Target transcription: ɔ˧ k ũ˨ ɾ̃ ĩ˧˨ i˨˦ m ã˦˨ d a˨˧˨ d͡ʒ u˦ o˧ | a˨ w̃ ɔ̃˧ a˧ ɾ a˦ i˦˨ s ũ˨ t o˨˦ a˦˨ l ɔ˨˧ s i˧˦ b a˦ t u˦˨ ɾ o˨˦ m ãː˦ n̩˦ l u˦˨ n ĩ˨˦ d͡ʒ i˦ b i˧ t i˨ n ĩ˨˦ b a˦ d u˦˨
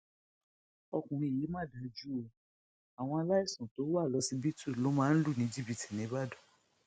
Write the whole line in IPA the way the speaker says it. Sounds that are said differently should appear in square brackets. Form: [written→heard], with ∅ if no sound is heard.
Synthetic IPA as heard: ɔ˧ k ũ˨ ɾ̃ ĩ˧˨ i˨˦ m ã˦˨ d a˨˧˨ d͡ʒ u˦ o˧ | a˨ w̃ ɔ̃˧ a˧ [ɾ→l] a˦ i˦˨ s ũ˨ t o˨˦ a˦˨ l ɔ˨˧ s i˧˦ b [a˦→i˦] t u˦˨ [ɾ→l] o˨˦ m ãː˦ n̩˦ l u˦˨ n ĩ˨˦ d͡ʒ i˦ b i˧ t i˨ n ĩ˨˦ b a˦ d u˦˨